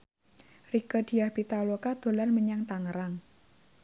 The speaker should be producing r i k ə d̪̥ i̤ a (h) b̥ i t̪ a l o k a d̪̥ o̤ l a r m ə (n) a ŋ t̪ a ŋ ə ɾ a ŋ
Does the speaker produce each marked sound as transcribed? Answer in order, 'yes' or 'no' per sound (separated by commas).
yes, no